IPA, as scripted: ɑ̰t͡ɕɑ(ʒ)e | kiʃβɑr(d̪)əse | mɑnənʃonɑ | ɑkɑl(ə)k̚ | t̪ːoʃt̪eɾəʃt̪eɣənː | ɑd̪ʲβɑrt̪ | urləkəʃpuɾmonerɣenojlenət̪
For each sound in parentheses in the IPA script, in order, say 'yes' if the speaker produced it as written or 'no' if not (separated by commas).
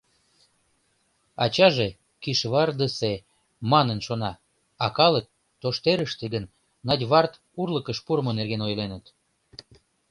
yes, yes, yes